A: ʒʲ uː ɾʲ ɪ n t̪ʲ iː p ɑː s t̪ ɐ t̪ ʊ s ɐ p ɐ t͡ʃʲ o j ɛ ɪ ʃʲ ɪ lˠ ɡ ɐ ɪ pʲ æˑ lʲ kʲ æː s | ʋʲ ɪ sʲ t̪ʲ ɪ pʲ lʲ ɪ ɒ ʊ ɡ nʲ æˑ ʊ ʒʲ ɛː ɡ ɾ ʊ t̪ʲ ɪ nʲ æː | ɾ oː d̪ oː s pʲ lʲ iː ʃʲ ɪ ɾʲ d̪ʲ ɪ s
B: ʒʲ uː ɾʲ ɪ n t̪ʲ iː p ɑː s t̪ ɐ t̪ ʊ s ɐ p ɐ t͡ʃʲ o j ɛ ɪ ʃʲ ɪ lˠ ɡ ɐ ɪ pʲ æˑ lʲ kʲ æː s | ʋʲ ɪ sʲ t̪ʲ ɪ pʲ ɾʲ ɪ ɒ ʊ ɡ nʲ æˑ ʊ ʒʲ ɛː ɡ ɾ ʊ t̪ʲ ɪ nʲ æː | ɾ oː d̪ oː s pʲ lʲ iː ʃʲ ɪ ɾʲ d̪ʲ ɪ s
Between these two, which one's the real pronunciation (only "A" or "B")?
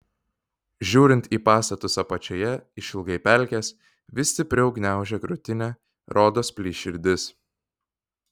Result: B